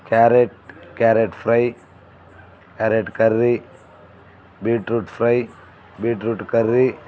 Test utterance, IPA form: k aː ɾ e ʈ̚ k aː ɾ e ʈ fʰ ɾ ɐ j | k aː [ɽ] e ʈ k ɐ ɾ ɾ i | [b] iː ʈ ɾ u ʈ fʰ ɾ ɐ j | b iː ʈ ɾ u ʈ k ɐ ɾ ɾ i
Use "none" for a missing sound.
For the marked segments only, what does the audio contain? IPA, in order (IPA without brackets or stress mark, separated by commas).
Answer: ɾ, b